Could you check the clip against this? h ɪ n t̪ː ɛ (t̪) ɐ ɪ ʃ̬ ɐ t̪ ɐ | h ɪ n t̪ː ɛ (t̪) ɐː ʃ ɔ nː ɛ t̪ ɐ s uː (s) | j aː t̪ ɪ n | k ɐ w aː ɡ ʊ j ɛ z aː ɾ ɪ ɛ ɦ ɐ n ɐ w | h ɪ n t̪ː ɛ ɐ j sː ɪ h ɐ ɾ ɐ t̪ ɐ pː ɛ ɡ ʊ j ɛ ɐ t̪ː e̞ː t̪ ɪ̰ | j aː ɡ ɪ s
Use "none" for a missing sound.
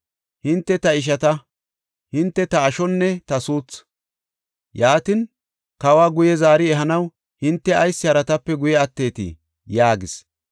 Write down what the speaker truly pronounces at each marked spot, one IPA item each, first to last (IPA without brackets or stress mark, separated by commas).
t̪, t̪, t͡s